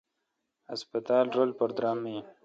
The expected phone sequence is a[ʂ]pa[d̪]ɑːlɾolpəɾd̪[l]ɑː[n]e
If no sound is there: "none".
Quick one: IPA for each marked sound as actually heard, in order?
s, t̪, ɾ, m

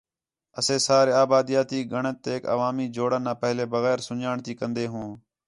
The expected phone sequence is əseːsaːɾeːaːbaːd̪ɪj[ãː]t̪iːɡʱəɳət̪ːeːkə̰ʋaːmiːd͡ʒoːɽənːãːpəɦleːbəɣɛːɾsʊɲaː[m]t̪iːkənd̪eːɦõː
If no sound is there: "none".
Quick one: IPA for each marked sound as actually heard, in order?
aː, ɳ

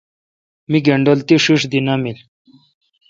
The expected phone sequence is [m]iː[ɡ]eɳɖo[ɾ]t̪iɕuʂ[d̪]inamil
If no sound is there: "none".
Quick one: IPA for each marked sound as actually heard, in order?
m, ɡ, l, d̪

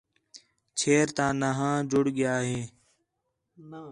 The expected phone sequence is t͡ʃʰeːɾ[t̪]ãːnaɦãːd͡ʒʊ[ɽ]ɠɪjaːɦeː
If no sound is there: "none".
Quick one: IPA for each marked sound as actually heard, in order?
t̪, ɽ

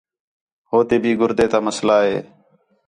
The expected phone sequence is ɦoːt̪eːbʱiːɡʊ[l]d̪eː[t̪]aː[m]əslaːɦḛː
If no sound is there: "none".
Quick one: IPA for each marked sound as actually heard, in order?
ɾ, t̪, m

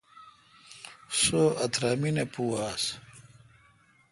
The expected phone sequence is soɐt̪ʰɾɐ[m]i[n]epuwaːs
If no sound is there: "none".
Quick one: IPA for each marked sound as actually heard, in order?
m, n

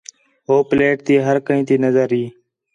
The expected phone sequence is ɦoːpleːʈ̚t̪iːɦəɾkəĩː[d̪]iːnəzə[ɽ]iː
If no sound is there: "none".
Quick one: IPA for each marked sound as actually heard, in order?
t̪, ɾ

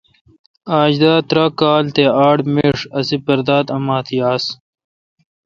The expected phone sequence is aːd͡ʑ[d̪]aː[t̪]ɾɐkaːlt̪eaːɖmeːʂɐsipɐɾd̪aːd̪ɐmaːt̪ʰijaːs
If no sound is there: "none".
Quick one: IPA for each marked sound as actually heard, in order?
d̪, t̪

